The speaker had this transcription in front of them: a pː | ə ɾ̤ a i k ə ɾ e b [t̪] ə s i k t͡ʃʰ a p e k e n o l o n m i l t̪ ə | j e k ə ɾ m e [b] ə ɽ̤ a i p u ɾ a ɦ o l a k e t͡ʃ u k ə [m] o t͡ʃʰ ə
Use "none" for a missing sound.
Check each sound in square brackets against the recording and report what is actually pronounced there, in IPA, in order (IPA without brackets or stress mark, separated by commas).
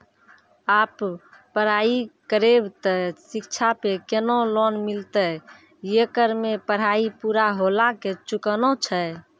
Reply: t̪, p, n